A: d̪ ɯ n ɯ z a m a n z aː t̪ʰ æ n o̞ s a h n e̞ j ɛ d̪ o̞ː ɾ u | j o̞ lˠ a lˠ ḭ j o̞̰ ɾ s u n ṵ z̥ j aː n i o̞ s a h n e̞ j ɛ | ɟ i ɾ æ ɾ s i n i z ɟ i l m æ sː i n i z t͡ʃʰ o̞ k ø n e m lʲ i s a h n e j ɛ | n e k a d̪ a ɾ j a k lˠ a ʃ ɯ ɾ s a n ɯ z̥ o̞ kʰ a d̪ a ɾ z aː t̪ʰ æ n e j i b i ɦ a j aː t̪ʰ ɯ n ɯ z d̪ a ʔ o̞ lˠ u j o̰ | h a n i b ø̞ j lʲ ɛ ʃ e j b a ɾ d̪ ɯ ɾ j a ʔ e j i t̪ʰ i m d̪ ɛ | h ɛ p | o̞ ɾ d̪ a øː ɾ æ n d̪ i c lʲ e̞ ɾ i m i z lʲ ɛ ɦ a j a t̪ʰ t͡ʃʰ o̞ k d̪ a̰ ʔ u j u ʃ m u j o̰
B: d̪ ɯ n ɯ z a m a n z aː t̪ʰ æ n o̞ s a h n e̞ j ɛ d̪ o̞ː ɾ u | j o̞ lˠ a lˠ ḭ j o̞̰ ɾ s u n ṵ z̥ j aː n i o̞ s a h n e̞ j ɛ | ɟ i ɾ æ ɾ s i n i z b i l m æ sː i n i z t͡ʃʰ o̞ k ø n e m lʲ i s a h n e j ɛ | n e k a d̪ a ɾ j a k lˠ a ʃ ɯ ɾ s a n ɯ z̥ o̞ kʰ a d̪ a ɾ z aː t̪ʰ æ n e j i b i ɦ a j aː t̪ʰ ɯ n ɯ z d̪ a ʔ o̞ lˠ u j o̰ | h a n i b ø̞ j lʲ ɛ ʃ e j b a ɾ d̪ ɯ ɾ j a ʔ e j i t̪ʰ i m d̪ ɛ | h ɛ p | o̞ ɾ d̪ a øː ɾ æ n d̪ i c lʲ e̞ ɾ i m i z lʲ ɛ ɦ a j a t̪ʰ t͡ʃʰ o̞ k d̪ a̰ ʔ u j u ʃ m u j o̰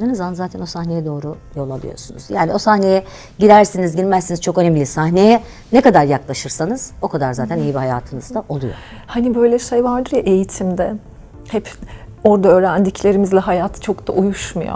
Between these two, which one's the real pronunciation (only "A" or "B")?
A